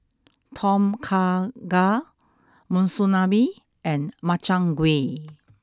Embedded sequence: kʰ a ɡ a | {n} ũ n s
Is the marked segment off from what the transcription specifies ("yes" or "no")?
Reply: yes